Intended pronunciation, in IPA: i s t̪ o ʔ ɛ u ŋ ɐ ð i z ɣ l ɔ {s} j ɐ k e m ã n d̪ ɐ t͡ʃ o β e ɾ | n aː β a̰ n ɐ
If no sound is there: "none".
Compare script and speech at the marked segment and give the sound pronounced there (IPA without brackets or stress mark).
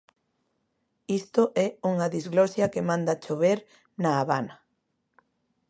s